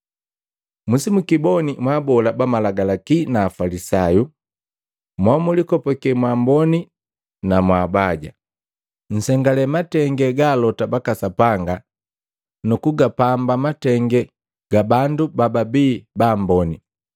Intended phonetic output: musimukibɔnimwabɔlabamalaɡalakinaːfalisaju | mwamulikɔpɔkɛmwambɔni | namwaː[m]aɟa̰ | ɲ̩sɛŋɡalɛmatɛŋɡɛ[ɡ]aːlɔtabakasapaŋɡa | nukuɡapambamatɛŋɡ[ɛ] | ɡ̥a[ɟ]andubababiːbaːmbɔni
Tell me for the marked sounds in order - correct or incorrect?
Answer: incorrect, correct, correct, incorrect

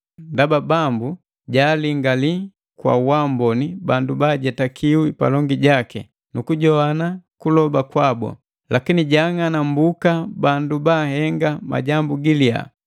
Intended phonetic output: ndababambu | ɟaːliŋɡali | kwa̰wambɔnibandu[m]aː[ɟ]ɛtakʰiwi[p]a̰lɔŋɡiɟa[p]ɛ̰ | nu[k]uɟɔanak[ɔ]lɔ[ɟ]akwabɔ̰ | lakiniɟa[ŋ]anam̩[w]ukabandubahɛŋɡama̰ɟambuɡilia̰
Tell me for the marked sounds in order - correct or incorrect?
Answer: incorrect, correct, correct, incorrect, correct, incorrect, incorrect, correct, incorrect

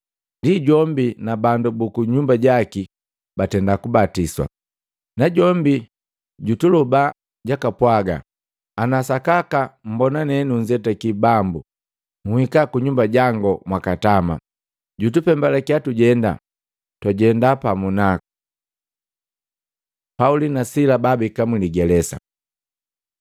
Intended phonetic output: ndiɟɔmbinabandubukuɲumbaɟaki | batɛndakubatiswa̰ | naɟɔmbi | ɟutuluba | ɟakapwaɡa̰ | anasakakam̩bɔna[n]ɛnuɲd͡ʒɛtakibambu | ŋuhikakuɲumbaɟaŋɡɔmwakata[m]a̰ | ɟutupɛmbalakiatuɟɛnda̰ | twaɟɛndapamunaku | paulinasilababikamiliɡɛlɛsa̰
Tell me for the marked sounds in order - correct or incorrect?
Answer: correct, correct

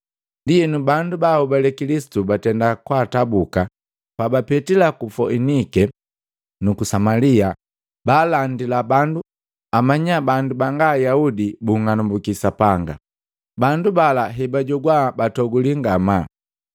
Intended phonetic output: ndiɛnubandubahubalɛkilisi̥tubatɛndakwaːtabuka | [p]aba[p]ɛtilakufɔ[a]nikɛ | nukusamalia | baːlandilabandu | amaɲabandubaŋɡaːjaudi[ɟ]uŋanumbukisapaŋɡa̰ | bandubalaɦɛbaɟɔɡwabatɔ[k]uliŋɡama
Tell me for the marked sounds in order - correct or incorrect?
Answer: correct, correct, incorrect, incorrect, incorrect

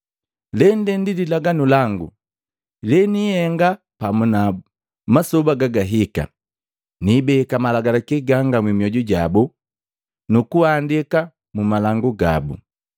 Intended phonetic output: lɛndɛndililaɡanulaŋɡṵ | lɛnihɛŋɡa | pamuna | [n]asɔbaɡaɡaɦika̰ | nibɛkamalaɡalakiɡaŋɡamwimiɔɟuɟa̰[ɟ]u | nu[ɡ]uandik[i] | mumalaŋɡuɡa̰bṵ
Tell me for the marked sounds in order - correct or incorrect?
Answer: incorrect, incorrect, incorrect, incorrect

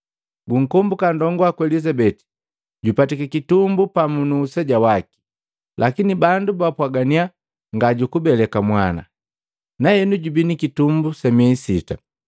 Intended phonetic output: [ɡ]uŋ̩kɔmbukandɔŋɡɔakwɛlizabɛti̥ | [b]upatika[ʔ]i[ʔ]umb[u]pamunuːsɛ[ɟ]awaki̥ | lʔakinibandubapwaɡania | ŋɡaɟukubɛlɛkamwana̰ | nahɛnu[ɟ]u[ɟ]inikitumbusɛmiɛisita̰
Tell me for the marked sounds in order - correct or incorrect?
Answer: correct, incorrect, incorrect, incorrect, correct, correct, correct, incorrect

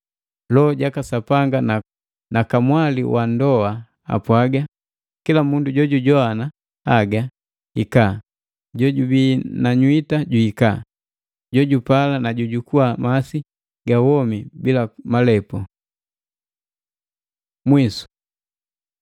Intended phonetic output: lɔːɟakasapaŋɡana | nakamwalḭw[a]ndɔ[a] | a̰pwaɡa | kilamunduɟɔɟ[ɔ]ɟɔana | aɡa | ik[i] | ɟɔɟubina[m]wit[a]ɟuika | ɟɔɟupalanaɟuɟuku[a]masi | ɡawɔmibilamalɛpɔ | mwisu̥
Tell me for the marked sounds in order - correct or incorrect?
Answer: correct, correct, incorrect, incorrect, incorrect, correct, correct

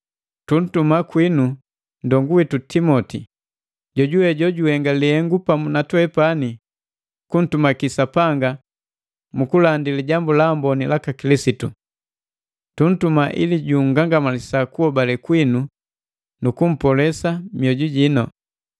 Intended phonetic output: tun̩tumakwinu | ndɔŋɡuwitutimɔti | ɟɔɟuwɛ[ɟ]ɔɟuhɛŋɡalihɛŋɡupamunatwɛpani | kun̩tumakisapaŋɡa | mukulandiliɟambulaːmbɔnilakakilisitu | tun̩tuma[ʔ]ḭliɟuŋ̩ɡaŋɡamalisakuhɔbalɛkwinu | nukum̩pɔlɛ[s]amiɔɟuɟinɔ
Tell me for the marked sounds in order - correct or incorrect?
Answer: correct, correct, correct

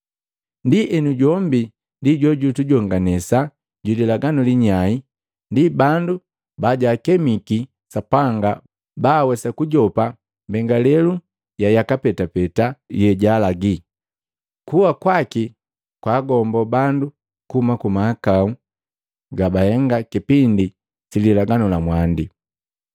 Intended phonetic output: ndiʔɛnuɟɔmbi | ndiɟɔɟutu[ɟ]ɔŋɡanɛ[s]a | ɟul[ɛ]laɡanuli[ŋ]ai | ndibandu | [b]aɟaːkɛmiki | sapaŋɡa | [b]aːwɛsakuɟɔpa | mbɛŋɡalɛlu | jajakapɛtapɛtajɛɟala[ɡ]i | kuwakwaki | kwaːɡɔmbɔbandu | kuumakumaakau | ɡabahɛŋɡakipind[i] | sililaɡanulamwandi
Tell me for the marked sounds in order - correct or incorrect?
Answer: correct, correct, incorrect, incorrect, correct, correct, correct, correct

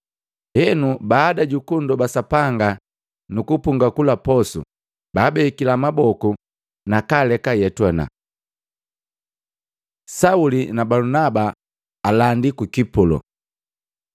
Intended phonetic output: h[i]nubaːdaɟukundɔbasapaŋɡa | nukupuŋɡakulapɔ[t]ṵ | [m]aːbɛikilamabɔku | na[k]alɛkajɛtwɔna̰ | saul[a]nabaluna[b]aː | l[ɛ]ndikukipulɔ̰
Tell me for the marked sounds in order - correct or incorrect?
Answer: incorrect, incorrect, incorrect, correct, incorrect, correct, incorrect

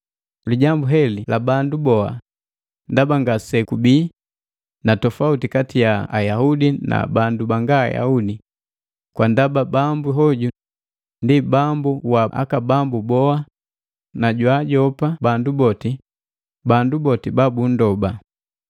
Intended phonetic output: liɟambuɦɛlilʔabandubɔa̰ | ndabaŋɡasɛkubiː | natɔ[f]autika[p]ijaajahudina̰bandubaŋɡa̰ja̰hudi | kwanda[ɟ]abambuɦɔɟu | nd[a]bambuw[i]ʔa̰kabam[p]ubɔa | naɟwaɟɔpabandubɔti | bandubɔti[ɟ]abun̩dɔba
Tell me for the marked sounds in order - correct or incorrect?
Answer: correct, incorrect, incorrect, incorrect, incorrect, incorrect, incorrect

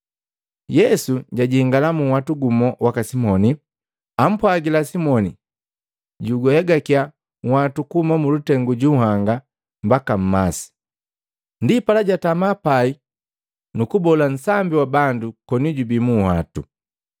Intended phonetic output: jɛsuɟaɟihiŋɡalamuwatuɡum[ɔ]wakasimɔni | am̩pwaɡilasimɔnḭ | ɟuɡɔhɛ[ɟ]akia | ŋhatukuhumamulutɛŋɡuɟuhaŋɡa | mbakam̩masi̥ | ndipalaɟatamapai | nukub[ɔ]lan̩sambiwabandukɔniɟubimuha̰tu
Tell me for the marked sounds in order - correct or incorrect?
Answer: correct, incorrect, correct

